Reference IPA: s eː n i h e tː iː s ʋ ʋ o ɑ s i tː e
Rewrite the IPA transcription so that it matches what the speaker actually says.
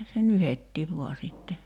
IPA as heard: s e n y h e tː iː ʋ ʋ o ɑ s i tː e